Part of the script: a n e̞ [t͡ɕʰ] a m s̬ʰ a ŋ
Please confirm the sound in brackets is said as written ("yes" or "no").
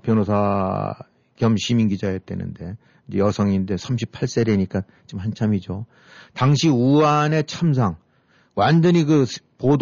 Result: yes